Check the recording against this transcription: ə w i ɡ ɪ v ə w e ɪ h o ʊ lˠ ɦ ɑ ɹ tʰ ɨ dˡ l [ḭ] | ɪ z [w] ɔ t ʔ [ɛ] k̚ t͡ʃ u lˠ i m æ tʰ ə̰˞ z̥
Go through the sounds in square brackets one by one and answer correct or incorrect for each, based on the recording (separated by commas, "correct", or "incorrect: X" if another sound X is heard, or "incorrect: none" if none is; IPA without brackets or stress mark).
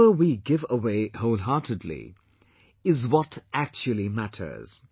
correct, correct, incorrect: æ